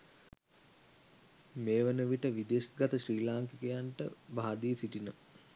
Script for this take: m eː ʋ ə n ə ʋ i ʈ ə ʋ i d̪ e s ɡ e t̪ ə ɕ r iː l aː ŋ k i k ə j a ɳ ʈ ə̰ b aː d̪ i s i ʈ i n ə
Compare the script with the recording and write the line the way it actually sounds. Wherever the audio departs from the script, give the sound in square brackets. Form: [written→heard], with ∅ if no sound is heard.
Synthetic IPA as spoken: m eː ʋ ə n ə ʋ i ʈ ə ʋ i d̪ e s ɡ [e→a] t̪ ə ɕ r iː l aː ŋ k i k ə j a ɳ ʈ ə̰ b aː d̪ i s i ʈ i n ə